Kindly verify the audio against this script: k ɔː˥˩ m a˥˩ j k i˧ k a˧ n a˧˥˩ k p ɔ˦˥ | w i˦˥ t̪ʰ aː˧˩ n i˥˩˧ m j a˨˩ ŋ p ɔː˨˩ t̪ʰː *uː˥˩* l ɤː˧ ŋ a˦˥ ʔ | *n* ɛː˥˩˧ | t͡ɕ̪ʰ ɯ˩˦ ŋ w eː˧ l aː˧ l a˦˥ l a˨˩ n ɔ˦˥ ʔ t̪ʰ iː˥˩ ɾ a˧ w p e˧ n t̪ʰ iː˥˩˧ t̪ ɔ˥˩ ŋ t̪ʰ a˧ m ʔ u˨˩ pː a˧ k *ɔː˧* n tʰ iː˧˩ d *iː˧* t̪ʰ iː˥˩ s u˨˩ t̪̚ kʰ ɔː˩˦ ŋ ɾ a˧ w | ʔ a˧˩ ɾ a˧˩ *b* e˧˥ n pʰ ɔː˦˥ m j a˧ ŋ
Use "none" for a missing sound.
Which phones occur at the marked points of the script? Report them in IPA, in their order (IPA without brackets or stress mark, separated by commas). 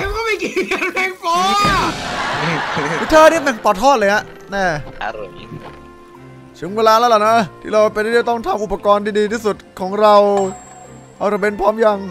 ɔː˥˩, n, ɔː˧, iː˧, b